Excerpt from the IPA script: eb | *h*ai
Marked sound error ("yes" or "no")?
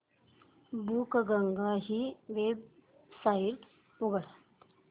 yes